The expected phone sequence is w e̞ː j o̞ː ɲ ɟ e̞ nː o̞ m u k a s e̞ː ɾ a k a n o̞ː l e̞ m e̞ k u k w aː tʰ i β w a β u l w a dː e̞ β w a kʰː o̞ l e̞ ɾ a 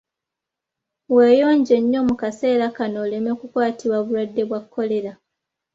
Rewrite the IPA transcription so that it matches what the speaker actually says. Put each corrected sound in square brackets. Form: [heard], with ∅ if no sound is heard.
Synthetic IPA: w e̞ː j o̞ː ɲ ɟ e̞ [ɲː] o̞ m u k a s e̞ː ɾ a k a n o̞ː l e̞ m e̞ k u k w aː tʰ i β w a β u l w a dː e̞ β w a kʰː o̞ l e̞ ɾ a